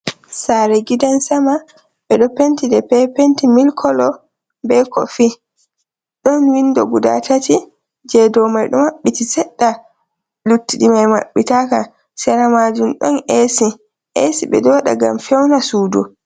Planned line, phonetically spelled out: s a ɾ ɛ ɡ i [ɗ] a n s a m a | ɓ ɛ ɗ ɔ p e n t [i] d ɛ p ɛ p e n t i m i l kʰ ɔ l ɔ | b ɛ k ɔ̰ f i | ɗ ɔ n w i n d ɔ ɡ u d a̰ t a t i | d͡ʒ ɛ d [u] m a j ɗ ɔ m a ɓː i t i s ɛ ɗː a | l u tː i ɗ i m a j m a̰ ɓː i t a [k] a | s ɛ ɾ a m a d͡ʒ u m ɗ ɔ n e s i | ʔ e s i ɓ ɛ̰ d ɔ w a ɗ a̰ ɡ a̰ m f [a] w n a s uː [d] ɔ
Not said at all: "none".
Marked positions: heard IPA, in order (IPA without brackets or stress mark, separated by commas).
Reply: d, i, ɔ, k, ɛ, d